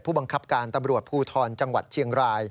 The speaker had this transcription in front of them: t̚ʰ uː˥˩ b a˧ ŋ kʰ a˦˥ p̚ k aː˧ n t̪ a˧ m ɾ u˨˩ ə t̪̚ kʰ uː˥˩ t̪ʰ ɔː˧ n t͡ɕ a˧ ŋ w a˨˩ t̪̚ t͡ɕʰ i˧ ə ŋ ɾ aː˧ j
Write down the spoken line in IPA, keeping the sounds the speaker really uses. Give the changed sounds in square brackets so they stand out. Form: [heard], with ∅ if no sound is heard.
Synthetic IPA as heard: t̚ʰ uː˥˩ b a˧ ŋ kʰ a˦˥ p̚ k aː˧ n t̪ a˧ m ɾ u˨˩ ə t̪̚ [pʰ] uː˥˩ t̪ʰ ɔː˧ n t͡ɕ a˧ ŋ w a˨˩ t̪̚ t͡ɕʰ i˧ ə ŋ ɾ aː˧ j